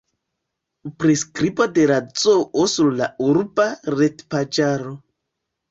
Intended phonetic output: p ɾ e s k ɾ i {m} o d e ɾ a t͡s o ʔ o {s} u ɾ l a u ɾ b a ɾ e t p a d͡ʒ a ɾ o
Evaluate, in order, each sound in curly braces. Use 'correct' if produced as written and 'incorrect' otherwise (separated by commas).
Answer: incorrect, correct